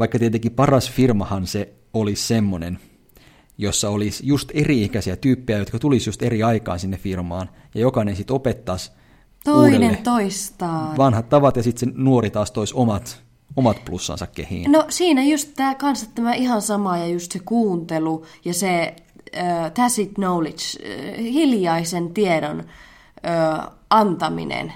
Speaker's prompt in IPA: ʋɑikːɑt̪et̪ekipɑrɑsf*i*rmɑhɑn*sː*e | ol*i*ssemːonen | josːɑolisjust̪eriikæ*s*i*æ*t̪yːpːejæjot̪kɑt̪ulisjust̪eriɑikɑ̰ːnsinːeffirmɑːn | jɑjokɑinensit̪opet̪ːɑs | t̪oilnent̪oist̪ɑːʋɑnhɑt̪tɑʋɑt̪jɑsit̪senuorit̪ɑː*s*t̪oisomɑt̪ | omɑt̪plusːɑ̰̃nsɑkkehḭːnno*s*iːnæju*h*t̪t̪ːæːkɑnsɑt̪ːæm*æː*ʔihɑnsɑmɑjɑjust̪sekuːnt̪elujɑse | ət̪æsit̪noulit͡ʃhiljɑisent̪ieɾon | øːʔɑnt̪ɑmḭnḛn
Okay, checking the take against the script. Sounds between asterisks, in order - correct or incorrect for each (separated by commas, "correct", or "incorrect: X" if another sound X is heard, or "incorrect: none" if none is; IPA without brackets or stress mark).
correct, incorrect: s, correct, correct, correct, correct, correct, incorrect: s, incorrect: æ